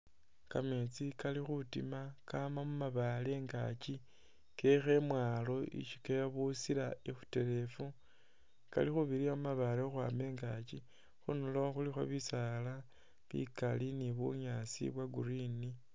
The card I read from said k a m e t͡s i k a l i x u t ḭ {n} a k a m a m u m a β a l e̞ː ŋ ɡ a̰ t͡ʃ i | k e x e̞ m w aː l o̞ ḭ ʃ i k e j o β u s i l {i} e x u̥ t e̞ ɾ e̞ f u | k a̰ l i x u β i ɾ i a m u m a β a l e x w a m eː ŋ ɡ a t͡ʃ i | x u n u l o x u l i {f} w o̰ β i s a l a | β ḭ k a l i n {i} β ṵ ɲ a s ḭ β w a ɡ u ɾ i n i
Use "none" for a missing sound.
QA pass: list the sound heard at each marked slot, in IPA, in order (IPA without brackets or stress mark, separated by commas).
m, a, x, i